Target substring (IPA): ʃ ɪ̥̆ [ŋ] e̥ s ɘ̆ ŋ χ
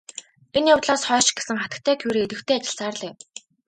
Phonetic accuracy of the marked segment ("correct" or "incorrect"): incorrect